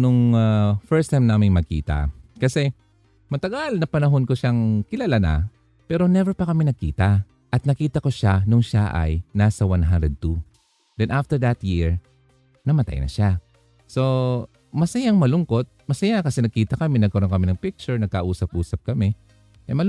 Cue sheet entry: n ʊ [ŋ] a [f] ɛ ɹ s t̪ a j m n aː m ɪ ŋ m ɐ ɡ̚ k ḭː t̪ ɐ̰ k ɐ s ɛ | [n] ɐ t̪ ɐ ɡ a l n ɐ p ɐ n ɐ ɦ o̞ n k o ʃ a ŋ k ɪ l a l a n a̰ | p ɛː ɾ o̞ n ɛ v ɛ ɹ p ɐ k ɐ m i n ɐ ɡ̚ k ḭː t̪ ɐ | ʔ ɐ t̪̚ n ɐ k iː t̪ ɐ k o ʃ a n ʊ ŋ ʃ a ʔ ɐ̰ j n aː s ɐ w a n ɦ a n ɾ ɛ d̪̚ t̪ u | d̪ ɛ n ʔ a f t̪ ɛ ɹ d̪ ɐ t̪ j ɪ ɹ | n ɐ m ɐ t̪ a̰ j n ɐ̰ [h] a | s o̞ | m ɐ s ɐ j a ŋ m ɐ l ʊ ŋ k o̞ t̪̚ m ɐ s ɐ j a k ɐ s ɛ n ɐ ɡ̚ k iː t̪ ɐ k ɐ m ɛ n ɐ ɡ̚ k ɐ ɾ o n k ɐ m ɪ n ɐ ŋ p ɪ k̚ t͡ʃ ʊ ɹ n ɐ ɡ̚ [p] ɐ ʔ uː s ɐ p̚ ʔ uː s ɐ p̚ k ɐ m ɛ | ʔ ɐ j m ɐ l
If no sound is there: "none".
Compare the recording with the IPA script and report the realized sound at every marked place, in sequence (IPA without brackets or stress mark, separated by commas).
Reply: ŋ, f, m, ʃ, k